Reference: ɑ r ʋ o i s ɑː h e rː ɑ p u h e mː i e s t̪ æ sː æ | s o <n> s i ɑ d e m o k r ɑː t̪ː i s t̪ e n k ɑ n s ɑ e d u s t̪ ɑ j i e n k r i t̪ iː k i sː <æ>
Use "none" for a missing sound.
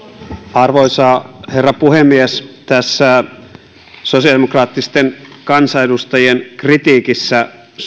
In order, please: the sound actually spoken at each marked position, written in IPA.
none, æ

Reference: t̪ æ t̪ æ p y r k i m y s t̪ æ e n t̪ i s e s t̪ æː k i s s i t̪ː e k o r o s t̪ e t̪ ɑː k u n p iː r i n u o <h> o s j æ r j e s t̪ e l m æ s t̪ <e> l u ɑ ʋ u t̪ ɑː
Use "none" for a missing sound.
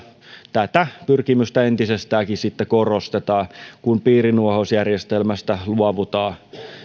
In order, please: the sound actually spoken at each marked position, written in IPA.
h, æ

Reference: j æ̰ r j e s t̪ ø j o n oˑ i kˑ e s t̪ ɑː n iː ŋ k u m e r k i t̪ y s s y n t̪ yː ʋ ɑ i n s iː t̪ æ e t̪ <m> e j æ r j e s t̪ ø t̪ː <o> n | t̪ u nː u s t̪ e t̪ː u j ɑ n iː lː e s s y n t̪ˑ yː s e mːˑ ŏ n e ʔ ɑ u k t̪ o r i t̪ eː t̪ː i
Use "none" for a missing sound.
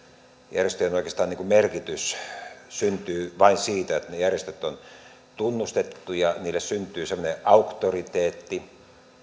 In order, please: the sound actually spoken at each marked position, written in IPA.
n, o

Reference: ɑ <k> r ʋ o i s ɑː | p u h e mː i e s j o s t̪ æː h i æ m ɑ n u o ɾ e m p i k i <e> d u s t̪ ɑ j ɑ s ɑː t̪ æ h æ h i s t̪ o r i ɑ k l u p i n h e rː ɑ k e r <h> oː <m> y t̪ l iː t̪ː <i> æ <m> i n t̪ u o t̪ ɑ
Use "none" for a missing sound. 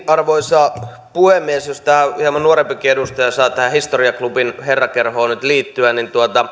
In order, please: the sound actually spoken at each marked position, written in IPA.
none, e, h, n, y, n

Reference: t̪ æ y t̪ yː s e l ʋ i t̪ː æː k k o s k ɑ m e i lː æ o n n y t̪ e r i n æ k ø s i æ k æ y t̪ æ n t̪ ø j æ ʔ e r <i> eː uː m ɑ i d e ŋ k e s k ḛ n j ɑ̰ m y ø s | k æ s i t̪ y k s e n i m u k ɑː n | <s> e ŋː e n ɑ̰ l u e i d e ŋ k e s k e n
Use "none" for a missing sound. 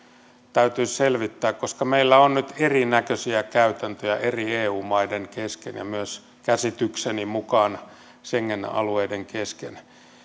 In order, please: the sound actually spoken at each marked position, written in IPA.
i, s

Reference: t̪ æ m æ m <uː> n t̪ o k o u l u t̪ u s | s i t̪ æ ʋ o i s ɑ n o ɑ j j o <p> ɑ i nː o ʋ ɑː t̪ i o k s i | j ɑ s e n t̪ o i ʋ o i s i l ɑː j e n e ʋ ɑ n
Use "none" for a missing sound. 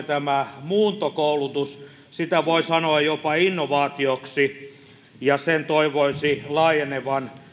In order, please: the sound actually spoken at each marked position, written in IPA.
uː, p

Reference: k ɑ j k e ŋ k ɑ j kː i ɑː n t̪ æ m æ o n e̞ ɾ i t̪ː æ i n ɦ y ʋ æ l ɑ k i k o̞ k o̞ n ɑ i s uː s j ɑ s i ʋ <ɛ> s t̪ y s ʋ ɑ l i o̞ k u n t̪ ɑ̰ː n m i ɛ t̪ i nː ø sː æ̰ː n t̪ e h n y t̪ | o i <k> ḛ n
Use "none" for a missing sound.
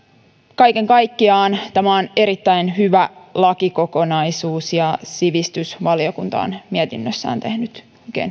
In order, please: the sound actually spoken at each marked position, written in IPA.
i, k

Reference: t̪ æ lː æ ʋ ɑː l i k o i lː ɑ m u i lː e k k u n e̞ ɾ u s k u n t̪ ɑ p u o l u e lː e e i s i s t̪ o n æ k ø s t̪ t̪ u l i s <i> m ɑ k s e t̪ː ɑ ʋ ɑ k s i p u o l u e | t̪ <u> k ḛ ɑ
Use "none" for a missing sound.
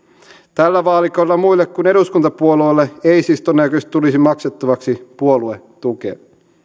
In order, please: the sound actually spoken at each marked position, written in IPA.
i, u

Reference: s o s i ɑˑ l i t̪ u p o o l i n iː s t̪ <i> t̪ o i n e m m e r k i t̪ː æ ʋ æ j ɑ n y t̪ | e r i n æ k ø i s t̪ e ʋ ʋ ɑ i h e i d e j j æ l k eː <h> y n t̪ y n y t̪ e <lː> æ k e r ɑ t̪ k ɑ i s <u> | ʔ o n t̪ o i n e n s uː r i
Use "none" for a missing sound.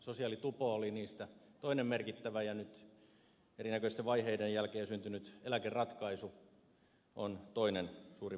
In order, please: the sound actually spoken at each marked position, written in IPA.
æ, s, l, u

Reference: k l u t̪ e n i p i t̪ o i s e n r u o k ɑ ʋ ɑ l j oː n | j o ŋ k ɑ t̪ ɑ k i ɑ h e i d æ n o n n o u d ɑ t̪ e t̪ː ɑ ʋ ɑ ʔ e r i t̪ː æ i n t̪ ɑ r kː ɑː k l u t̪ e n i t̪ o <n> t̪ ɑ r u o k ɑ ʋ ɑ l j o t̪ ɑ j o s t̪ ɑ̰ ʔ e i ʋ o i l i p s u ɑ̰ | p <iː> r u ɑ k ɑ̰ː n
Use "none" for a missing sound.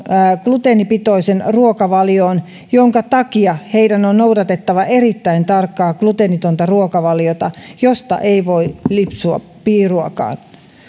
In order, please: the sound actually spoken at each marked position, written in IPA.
n, iː

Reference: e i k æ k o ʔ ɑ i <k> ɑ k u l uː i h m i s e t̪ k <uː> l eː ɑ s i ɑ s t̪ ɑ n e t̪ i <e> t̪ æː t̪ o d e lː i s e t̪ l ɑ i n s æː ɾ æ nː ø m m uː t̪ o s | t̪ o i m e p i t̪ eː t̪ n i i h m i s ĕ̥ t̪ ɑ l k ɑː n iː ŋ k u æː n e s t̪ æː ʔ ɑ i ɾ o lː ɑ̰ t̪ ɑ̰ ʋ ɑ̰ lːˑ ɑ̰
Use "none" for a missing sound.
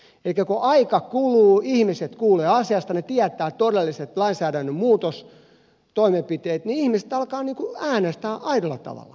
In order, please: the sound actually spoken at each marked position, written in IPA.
k, uː, æ

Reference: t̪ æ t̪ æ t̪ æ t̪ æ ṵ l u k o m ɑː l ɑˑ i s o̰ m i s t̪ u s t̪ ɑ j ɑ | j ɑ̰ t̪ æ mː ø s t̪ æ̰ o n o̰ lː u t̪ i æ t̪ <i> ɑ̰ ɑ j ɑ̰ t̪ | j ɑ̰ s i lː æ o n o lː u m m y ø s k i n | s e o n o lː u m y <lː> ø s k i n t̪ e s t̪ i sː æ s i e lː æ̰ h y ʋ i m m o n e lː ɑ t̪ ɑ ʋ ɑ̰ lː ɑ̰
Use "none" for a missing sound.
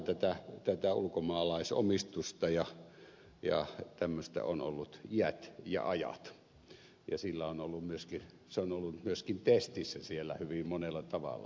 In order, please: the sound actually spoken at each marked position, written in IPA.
j, none

